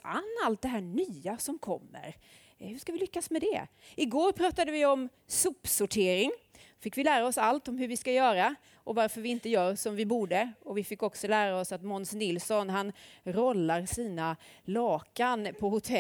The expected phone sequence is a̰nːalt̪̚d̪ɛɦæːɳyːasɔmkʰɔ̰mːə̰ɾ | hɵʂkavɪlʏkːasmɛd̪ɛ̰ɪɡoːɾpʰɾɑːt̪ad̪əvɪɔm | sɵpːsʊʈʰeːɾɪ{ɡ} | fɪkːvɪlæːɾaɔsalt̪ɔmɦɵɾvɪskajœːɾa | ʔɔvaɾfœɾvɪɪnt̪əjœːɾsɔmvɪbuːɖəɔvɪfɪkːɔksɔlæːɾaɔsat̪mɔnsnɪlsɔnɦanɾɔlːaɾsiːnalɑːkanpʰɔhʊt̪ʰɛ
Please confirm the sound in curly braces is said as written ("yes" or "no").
no